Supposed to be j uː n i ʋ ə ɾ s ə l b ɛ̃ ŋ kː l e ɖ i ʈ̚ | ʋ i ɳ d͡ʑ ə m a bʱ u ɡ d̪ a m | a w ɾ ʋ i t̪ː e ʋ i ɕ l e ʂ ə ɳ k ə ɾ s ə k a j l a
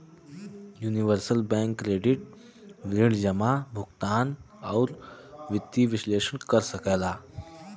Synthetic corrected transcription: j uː n i ʋ ə ɾ s ə l b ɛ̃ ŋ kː ɾ e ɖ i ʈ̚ | ʋ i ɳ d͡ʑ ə m a bʱ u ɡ t̪ a n | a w ɾ ʋ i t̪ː i ʋ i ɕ l e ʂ ə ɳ k ə ɾ s ə k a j l a